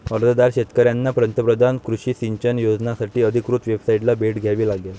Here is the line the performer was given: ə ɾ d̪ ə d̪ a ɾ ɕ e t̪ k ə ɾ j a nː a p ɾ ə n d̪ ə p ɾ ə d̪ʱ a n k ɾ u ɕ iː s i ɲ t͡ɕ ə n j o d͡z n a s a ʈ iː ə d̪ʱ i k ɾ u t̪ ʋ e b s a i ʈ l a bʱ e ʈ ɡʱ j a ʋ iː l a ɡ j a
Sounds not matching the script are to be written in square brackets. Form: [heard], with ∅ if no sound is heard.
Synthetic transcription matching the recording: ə ɾ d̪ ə d̪ a ɾ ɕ e t̪ k ə ɾ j a nː a p ɾ ə n [t̪] ə p ɾ ə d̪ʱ a n k ɾ u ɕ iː s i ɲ t͡ɕ ə n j o d͡z n a s a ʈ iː ə d̪ʱ i k ɾ u t̪ ʋ e b s a i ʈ l a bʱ e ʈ ɡʱ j a ʋ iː l a ɡ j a

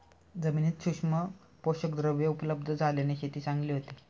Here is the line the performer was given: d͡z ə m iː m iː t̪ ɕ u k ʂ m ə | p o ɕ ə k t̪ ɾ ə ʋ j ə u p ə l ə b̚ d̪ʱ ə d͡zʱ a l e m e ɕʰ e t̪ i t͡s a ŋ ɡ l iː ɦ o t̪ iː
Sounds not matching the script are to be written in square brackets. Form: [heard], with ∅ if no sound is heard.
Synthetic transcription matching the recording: d͡z ə m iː [n] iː t̪ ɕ u k ʂ m ə | p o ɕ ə k [d̪] ɾ ə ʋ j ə u p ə l ə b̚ d̪ʱ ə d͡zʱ a l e [n] e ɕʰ e t̪ [iː] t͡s a ŋ ɡ l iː ɦ o t̪ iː

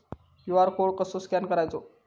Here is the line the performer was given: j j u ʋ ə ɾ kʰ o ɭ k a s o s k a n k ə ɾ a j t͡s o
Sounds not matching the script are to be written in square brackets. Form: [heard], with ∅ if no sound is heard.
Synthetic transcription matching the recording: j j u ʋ [a] ɾ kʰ o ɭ k [ə] s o s k a n k ə ɾ a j t͡s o

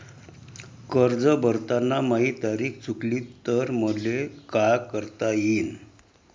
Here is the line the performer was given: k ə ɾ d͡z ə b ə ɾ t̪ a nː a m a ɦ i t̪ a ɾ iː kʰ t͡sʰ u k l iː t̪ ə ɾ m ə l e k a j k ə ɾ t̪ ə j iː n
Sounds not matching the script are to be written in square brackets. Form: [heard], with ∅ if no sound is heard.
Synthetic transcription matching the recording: k ə ɾ d͡z ə b ə ɾ t̪ a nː a m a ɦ i t̪ a ɾ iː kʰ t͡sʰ u k l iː t̪ ə ɾ m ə l e k a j k ə ɾ t̪ [a] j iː n

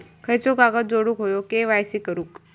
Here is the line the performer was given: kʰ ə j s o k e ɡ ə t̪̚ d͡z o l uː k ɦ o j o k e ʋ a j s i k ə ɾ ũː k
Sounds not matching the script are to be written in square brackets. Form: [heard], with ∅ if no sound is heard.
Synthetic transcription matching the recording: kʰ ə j [t͡s] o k [a] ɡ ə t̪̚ d͡z o [ɽ] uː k ɦ o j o k e ʋ a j s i k ə ɾ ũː k

